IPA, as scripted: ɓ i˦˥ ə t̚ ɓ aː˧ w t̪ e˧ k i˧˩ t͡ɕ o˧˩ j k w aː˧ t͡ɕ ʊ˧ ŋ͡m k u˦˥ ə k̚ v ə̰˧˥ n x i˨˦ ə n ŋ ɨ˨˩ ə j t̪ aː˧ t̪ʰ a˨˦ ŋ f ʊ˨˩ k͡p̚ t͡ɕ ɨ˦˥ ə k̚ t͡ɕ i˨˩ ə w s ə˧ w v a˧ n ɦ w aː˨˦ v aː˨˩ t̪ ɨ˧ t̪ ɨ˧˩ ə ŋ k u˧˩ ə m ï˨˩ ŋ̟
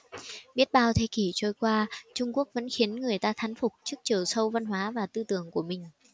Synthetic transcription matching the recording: ɓ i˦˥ ə t̚ ɓ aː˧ w t̪ʰ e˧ k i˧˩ t͡ɕ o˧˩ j k w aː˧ t͡ɕ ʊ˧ ŋ͡m k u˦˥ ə k̚ v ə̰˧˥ n x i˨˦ ə n ŋ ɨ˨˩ ə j t̪ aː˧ t̪ʰ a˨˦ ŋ f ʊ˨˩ k͡p̚ t͡ɕ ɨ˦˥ ə k̚ t͡ɕ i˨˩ ə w s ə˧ w v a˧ n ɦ w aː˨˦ v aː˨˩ t̪ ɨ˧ t̪ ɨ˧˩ ə ŋ k u˧˩ ə m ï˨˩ ŋ̟

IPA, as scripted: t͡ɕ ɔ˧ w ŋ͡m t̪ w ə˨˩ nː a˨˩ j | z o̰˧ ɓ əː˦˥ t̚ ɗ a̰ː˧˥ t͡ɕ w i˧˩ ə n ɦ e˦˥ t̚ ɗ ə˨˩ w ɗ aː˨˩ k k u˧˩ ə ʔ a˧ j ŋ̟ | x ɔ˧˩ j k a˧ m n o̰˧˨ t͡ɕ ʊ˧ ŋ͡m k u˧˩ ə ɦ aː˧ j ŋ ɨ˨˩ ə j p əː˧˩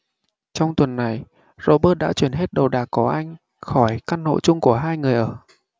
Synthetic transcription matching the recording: t͡ɕ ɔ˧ w ŋ͡m t̪ w ə˨˩ nː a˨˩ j | z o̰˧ ɓ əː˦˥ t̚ ɗ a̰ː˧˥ t͡ɕ w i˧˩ ə n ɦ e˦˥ t̚ ɗ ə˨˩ w ɗ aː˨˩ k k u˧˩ ə ʔ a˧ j ŋ̟ | x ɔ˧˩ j k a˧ n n o̰˧˨ t͡ɕ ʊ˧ ŋ͡m k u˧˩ ə ɦ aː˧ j ŋ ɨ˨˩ ə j ʔ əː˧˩

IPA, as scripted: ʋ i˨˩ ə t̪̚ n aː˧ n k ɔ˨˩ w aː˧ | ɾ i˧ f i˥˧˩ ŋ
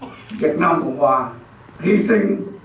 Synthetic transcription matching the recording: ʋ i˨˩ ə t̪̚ n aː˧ m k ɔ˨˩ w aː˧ | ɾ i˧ s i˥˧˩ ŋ

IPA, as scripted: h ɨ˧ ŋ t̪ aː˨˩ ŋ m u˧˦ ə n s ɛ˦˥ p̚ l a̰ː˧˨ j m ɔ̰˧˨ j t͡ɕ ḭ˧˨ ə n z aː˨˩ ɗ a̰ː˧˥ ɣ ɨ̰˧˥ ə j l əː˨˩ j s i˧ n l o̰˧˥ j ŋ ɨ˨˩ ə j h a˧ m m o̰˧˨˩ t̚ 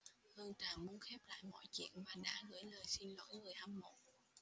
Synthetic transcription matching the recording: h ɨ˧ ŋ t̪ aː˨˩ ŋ m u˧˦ ə n x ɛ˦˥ p̚ l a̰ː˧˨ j m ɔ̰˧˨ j t͡ɕ ḭ˧˨ ə n v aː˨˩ ɗ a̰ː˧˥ ɣ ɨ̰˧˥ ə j l əː˨˩ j s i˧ n l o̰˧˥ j ŋ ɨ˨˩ ə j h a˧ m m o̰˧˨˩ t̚

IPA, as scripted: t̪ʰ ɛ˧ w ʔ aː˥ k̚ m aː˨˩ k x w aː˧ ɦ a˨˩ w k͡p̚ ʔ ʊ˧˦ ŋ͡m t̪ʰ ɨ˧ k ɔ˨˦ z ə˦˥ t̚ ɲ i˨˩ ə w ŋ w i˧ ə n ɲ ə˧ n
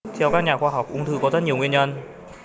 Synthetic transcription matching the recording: t̪ʰ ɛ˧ w k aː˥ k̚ ɲ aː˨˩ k x w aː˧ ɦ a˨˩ w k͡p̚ ʔ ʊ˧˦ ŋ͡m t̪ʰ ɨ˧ k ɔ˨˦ z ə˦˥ t̚ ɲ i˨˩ ə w ŋ w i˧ ə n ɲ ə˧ n

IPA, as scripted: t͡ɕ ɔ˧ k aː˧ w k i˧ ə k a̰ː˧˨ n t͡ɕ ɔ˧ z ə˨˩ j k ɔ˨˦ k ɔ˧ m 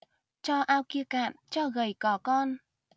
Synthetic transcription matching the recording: t͡ɕ ɔ˧ ʔ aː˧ w k i˧ ə k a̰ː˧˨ n t͡ɕ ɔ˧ ɣ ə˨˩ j k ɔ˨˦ k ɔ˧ n

